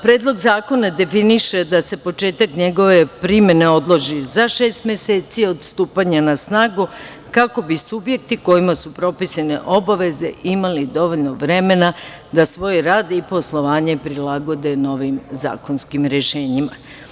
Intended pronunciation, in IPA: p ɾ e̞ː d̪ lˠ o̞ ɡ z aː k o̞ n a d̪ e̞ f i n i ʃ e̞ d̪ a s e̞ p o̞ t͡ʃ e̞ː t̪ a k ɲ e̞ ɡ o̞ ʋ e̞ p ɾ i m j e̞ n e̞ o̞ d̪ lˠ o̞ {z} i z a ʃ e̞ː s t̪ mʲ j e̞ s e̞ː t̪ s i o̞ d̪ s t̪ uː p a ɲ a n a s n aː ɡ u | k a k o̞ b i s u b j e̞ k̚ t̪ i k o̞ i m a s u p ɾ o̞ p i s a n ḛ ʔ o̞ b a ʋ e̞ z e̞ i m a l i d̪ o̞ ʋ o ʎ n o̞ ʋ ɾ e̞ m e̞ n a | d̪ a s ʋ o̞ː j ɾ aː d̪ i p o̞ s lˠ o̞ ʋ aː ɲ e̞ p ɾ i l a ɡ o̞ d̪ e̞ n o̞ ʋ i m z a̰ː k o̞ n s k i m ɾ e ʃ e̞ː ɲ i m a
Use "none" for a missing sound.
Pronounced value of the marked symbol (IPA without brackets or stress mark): ʒ